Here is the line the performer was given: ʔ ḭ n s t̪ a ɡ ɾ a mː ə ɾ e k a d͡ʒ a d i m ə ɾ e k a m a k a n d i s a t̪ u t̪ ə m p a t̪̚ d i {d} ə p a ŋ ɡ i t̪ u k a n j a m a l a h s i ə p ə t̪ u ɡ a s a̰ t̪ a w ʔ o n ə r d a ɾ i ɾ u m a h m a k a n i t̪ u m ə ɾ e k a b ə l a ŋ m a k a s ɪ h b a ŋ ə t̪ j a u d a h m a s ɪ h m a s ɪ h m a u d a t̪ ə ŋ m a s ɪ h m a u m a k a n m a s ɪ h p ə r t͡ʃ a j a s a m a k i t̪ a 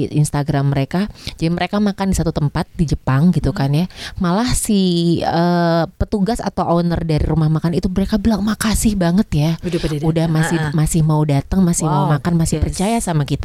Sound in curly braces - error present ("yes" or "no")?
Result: yes